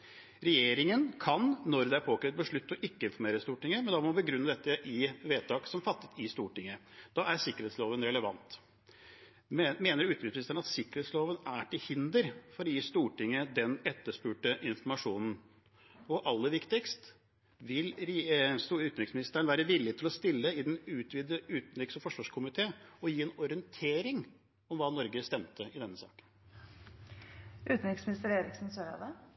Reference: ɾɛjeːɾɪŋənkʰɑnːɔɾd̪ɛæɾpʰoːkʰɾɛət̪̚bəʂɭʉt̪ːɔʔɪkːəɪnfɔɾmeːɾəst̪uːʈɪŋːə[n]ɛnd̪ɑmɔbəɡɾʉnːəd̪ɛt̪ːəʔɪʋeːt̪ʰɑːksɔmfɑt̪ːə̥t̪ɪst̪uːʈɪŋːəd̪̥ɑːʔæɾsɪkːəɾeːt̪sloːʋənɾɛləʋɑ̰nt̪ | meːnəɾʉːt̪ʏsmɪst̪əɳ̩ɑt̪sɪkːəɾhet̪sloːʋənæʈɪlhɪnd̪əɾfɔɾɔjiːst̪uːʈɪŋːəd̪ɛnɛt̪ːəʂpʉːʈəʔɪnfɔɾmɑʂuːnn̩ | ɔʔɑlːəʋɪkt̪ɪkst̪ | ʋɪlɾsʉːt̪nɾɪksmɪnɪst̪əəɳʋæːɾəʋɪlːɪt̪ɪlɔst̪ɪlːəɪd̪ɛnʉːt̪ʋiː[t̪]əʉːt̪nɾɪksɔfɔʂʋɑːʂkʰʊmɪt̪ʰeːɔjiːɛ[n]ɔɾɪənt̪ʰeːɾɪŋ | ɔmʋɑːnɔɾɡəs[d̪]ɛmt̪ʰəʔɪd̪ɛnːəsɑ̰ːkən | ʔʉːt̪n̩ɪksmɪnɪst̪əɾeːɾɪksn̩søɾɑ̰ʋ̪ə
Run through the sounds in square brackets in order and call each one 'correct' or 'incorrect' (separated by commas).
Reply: incorrect, incorrect, correct, incorrect